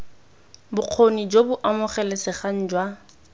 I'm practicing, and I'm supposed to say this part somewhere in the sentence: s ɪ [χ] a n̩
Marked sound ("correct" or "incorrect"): correct